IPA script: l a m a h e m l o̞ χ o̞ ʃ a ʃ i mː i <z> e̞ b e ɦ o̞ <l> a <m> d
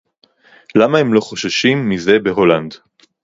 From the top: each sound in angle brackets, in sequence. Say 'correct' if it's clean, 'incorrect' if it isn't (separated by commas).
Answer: correct, correct, incorrect